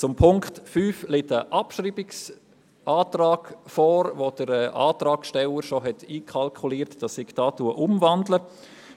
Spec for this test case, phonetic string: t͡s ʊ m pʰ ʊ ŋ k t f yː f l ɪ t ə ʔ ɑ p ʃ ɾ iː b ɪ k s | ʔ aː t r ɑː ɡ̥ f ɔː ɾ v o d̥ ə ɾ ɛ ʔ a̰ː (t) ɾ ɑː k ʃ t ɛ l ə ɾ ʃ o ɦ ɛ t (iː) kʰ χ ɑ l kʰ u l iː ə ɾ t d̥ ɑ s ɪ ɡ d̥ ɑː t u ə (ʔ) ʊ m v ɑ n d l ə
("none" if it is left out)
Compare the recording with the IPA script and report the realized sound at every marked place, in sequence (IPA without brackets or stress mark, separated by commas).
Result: t, iː, ʔ